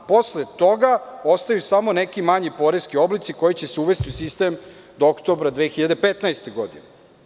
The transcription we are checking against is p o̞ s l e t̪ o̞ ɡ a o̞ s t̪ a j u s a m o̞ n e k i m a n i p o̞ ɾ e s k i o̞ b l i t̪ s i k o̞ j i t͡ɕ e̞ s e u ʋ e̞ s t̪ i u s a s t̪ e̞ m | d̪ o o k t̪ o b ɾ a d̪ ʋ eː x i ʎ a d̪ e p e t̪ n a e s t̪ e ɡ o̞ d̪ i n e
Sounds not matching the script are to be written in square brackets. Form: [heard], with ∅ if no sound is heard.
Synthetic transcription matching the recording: p o̞ s l e t̪ o̞ ɡ a o̞ s t̪ a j u s a m o̞ n e k i m a [ɲ] i p o̞ ɾ e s k i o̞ b l i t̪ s i k o̞ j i t͡ɕ e̞ s e u ʋ e̞ s t̪ i u s [i] s t̪ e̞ m | d̪ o o k t̪ o b ɾ a d̪ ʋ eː x i ʎ a d̪ e p e t̪ n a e s t̪ e ɡ o̞ d̪ i n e